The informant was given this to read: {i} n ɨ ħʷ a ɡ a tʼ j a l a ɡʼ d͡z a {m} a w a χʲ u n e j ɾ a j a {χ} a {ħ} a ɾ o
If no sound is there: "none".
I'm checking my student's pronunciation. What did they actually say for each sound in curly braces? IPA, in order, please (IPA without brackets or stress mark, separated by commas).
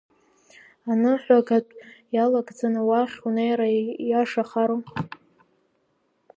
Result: a, n, ʂ, χ